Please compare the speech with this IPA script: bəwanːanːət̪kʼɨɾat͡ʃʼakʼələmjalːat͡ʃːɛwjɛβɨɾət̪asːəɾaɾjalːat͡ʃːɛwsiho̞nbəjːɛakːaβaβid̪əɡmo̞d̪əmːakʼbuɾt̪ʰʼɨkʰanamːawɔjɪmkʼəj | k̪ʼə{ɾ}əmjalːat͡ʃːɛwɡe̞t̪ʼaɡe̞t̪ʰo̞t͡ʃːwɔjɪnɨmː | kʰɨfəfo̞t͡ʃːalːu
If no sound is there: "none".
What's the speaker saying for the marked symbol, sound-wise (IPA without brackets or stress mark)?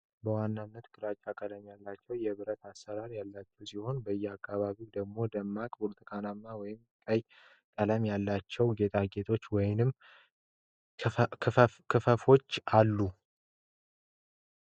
l